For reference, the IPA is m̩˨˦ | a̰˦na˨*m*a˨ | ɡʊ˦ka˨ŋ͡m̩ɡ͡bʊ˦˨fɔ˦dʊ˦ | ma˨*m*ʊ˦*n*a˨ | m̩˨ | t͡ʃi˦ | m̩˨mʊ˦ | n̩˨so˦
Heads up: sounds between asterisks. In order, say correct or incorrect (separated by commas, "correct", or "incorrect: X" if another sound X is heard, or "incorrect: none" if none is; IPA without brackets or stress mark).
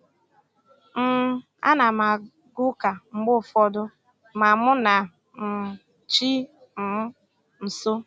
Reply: correct, correct, correct